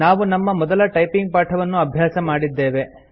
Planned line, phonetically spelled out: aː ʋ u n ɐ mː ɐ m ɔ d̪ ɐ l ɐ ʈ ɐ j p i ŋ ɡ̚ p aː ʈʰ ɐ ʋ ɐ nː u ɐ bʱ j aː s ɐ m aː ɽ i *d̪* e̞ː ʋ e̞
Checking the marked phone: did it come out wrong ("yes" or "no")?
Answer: yes